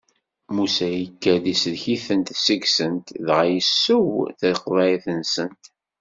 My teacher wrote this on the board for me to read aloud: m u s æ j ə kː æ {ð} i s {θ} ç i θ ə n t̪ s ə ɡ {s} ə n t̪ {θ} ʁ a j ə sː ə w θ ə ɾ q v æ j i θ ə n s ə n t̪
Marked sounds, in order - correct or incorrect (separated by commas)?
correct, incorrect, correct, incorrect